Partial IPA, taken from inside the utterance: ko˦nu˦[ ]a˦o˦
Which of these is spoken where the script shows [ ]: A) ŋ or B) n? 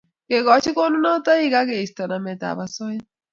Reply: B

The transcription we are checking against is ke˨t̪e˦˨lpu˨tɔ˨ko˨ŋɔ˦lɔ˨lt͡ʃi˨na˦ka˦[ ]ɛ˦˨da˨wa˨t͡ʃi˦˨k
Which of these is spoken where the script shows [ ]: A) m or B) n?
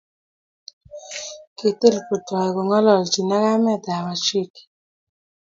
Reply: A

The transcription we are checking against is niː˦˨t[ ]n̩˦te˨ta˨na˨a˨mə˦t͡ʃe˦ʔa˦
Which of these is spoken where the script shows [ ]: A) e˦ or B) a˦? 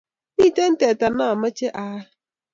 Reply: A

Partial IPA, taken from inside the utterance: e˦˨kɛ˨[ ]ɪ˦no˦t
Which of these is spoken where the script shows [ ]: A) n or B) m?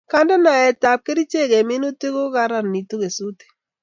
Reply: B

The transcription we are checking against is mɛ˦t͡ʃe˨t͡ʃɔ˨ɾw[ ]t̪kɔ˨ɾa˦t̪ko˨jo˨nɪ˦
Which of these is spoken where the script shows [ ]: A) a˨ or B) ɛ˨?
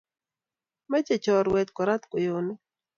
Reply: B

